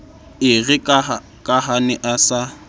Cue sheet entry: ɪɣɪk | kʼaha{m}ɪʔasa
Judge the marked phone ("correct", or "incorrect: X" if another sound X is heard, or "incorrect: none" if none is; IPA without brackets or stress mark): incorrect: n